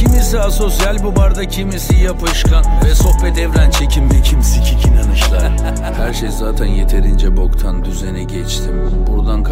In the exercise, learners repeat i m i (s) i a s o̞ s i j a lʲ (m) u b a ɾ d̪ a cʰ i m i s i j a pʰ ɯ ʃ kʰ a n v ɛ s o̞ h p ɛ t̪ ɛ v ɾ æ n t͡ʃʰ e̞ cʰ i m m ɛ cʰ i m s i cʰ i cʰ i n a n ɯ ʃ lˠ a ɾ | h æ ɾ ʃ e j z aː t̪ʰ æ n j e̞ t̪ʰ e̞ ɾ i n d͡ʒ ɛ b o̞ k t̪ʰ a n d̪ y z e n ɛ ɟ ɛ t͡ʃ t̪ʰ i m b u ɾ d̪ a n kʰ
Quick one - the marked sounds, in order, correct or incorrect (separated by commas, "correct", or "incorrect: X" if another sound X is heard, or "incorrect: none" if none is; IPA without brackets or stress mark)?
correct, incorrect: b